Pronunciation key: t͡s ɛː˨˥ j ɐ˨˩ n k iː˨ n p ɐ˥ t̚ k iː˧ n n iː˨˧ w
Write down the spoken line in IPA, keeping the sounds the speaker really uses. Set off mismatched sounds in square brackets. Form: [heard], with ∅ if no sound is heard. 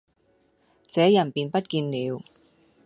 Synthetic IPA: t͡s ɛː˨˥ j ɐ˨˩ n [p] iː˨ n p ɐ˥ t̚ k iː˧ n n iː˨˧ w